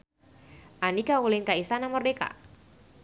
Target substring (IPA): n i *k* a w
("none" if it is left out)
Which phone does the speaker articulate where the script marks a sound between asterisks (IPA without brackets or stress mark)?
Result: k